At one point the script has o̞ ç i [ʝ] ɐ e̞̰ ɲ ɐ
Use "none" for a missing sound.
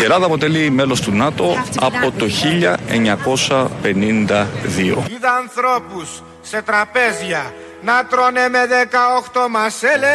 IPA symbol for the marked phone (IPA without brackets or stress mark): ʎ